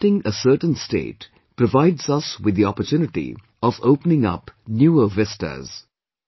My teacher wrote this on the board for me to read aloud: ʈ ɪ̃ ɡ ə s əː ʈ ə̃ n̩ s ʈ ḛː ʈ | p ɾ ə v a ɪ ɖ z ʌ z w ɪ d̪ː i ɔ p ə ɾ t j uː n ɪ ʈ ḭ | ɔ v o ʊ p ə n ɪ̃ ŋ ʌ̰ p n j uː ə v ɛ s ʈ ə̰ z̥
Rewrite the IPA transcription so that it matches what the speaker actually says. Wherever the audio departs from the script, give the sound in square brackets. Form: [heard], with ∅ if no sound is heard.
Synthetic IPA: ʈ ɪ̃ [ŋ] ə s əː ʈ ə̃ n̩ s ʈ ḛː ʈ | p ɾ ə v a ɪ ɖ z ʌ [s] w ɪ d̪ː i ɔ p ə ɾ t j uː n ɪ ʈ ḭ | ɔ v o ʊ p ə n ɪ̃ ŋ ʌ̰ p n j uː ə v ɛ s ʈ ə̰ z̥